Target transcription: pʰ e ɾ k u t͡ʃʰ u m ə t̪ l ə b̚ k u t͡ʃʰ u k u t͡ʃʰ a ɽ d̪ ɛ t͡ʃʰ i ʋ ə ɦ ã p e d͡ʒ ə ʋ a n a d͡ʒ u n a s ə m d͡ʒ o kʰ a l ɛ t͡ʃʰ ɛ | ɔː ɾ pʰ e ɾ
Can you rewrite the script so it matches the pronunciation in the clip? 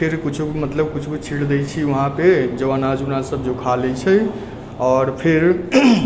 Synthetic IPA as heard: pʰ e ɾ k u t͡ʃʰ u m ə t̪ l ə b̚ k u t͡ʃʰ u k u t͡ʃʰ i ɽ d̪ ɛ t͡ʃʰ i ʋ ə ɦ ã p e d͡ʒ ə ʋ a n a d͡ʒ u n a s ə b d͡ʒ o kʰ a l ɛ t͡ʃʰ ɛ | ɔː ɾ pʰ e ɾ